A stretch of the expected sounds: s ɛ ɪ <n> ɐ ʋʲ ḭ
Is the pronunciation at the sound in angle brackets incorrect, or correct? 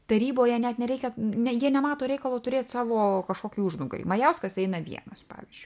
correct